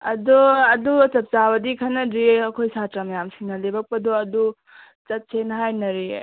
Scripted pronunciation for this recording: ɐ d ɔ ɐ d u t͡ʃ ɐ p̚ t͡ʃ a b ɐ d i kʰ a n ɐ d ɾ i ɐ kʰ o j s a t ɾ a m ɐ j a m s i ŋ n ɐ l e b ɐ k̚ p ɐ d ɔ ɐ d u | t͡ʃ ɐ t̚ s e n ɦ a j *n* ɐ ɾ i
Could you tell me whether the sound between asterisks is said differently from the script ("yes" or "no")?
no